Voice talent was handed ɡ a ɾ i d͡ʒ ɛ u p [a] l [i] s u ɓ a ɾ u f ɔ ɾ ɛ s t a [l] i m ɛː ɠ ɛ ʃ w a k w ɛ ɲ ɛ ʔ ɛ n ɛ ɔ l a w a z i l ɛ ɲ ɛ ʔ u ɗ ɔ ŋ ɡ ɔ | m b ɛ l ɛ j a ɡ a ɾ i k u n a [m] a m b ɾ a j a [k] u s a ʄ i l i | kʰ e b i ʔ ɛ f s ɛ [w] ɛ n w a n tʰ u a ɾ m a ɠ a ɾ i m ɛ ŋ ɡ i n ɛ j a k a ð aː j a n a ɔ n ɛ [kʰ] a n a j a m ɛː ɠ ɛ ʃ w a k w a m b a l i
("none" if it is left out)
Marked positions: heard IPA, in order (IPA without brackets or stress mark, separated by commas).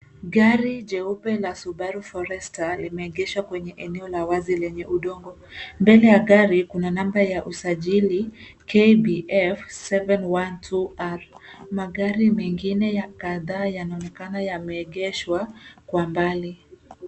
ɛ, a, l, n, ʔ, v, k